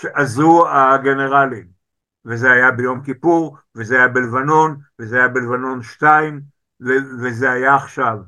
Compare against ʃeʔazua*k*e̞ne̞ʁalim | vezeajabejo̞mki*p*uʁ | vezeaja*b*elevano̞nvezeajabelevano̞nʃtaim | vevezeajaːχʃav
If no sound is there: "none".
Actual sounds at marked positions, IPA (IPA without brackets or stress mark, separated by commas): ɡ, p, b